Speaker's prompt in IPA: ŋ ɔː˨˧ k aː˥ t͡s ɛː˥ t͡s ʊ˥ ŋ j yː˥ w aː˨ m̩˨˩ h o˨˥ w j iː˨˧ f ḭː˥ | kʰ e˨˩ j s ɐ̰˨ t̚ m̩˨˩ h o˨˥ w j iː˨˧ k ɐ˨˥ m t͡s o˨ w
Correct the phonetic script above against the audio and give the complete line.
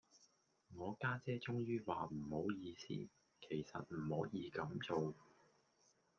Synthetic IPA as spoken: ŋ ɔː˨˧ k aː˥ t͡s ɛː˥ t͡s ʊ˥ ŋ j yː˥ w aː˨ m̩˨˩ h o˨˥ w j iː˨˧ s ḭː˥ | kʰ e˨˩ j s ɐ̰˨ t̚ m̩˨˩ h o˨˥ w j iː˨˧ k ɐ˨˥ m t͡s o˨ w